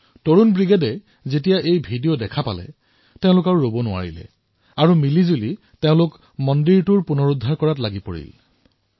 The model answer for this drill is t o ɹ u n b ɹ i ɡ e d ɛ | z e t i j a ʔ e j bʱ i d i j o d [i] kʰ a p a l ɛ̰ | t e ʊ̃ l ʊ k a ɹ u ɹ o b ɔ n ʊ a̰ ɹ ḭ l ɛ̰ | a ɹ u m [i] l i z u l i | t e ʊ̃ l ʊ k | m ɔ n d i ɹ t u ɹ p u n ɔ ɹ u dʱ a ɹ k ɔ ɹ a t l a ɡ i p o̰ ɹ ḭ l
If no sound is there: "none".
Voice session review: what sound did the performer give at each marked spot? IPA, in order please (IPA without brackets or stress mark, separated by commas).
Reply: ɛ, i